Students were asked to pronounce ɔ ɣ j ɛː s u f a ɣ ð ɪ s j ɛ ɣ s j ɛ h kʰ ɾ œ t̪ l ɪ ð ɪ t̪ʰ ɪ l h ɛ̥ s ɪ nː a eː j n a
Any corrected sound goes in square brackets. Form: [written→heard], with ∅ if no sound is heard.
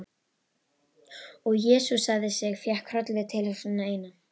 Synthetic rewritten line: ɔ ɣ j ɛː s u [f→s] a ɣ ð ɪ s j ɛ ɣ [s→f] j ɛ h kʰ ɾ œ t̪ l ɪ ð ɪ t̪ʰ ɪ l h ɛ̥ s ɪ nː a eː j n a